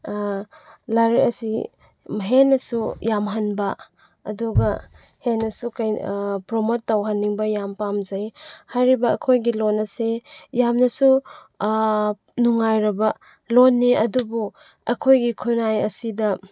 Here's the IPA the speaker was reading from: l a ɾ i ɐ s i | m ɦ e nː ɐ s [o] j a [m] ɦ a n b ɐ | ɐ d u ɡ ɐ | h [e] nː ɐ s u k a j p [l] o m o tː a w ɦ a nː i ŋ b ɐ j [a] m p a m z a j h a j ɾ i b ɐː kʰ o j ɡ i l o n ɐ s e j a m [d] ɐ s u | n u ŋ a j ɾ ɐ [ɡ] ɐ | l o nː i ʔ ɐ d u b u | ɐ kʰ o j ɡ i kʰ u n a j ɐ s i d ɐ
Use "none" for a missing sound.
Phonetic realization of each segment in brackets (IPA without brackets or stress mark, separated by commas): u, m, e, ɾ, a, n, b